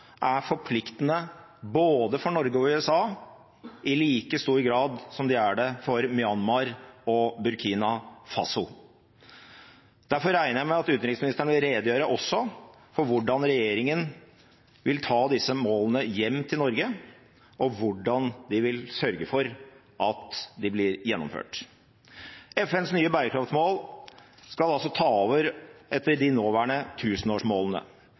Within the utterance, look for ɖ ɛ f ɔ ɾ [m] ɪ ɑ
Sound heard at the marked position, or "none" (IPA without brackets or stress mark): m